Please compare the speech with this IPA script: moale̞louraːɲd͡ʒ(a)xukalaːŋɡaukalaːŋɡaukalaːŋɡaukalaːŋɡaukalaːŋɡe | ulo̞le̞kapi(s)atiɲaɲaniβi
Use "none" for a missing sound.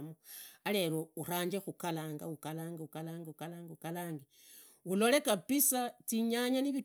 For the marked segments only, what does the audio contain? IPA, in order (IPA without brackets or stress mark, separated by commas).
e, s